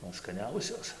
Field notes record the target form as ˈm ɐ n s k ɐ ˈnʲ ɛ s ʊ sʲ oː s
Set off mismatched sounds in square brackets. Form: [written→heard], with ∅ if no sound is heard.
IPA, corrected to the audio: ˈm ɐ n s k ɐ ˈnʲ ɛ [s→∅] ʊ sʲ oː s